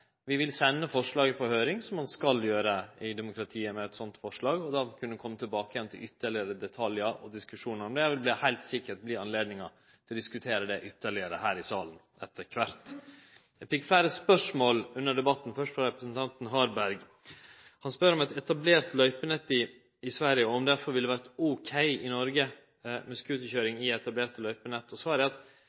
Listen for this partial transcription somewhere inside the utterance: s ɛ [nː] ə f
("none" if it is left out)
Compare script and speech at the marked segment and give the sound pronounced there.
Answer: nː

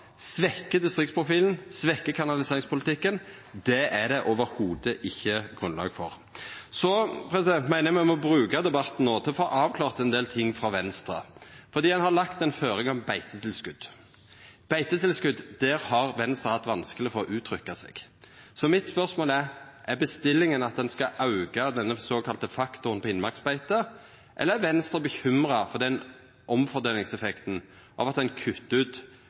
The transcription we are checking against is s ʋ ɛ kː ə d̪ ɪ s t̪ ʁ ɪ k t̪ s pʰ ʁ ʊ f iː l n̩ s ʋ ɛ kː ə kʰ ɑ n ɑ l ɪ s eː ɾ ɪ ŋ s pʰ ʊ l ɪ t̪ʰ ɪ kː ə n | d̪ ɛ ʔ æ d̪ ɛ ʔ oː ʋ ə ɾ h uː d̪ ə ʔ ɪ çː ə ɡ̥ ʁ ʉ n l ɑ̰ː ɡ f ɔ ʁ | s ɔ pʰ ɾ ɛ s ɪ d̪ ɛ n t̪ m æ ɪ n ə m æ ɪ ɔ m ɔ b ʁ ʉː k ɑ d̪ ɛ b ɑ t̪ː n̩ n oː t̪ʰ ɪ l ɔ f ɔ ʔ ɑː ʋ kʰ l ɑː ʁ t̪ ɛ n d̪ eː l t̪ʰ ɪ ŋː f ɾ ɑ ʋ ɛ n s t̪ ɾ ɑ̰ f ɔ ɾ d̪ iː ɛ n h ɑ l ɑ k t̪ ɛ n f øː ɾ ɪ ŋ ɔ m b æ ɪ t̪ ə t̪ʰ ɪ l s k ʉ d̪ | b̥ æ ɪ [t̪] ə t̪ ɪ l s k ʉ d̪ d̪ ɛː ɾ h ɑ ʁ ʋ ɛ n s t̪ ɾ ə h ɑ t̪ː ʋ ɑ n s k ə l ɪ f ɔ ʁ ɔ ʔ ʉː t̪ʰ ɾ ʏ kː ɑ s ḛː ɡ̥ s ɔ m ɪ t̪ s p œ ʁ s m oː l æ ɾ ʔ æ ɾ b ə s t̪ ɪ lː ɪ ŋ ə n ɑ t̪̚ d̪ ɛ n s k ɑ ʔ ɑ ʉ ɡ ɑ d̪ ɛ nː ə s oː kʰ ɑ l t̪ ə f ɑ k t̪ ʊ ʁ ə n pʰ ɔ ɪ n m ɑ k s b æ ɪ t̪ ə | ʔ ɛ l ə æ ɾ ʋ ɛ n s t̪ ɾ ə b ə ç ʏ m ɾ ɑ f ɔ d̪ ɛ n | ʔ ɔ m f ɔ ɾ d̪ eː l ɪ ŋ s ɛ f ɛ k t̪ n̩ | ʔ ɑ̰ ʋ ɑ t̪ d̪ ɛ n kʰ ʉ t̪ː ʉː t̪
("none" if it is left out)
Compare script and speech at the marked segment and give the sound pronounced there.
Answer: t̪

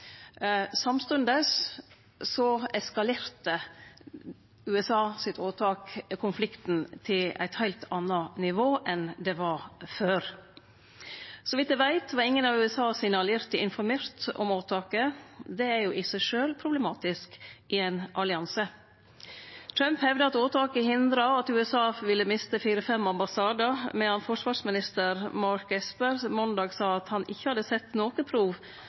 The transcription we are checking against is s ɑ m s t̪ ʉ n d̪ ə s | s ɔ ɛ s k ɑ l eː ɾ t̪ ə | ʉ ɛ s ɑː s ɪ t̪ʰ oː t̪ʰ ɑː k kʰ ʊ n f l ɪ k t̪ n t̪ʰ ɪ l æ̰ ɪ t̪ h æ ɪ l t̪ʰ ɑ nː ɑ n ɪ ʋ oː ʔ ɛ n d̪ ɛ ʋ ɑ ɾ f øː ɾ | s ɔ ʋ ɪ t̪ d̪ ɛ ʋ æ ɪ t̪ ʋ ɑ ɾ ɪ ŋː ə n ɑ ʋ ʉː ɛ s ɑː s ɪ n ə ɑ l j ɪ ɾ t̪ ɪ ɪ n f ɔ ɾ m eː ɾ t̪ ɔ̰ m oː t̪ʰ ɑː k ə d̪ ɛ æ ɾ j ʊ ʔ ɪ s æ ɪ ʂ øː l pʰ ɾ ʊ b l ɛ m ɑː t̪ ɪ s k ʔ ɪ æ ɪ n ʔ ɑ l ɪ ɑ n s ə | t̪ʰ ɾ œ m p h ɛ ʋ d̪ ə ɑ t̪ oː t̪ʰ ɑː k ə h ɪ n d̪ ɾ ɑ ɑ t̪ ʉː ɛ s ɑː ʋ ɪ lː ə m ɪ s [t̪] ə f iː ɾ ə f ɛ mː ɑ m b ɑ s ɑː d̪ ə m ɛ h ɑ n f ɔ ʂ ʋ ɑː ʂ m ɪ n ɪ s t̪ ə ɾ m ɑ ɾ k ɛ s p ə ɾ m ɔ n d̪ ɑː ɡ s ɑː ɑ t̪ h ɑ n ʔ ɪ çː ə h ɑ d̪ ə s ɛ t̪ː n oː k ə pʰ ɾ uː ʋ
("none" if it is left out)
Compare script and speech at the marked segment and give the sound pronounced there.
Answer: t̪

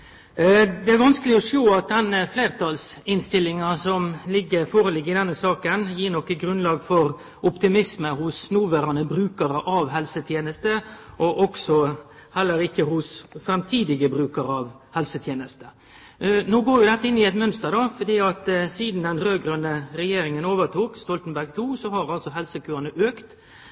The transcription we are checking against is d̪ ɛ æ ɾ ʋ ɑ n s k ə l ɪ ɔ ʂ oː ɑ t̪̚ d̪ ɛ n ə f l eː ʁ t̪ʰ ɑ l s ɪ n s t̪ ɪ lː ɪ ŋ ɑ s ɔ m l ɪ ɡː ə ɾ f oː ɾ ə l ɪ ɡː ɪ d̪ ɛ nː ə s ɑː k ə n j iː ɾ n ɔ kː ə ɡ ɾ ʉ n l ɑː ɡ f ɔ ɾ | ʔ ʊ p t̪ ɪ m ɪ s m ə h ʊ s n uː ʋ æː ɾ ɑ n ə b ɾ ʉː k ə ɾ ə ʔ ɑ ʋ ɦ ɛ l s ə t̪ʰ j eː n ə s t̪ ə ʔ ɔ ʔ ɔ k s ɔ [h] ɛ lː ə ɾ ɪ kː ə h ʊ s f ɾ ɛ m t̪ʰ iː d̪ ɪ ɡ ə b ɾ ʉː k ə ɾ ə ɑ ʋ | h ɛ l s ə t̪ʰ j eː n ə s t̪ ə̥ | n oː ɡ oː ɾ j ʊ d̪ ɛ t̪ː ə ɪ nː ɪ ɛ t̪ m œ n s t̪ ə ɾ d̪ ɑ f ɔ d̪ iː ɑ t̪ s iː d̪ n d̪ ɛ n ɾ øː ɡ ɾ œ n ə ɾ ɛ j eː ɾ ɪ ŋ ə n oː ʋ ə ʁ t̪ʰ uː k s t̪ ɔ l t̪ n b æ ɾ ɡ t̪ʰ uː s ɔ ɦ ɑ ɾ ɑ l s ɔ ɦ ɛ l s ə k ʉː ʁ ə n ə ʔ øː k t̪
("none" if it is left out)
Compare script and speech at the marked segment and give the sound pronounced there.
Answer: h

